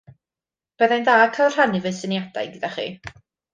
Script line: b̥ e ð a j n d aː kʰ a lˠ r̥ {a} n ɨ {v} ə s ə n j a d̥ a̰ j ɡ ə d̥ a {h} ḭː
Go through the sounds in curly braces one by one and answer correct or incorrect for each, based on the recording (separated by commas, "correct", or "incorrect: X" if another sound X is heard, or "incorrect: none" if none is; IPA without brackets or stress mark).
correct, correct, incorrect: χ